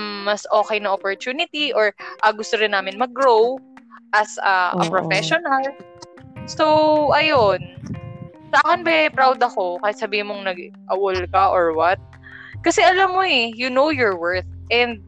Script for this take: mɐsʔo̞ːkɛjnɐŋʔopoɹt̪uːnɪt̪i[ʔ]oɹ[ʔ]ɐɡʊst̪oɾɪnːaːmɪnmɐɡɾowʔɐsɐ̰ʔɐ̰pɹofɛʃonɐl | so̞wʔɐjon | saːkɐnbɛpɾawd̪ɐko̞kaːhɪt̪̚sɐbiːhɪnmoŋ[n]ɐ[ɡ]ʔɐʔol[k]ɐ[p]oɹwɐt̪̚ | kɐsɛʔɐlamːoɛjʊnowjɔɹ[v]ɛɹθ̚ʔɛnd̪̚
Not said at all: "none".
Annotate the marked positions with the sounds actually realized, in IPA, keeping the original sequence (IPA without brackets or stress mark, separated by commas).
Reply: ʔ, ʔ, n, ɡ, k, ʔ, w